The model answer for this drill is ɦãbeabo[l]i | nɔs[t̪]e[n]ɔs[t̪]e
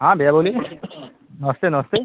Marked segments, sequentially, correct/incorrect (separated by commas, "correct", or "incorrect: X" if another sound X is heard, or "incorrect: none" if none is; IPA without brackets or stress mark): correct, correct, correct, correct